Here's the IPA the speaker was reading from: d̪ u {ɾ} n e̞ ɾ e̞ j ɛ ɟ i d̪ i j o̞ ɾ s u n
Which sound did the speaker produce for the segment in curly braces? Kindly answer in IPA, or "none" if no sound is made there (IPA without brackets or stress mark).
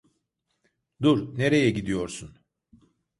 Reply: ɾ